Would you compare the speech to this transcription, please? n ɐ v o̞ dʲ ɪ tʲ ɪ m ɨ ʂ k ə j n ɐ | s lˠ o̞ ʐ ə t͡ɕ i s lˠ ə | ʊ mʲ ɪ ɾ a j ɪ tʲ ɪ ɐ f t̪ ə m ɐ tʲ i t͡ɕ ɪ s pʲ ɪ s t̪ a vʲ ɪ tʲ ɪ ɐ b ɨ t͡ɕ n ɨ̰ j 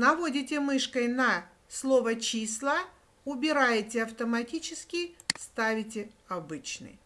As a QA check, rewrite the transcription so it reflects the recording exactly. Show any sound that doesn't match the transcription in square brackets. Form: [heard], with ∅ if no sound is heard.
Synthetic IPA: n ɐ v o̞ dʲ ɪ tʲ ɪ m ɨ ʂ k ə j n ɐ | s lˠ o̞ [v] ə t͡ɕ i s lˠ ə | ʊ [bʲ] ɪ ɾ a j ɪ tʲ ɪ ɐ f t̪ ə m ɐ tʲ i t͡ɕ ɪ s [kʲ] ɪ s t̪ a vʲ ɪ tʲ ɪ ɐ b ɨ t͡ɕ n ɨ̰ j